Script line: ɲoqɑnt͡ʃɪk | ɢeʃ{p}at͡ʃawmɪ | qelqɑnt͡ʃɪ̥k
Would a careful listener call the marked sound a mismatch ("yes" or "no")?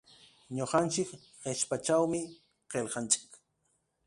no